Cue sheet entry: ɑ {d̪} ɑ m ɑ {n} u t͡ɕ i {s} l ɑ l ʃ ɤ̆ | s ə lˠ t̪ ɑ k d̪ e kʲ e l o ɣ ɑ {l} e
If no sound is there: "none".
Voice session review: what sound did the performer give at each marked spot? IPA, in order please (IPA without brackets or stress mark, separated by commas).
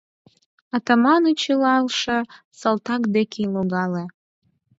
t̪, n, none, l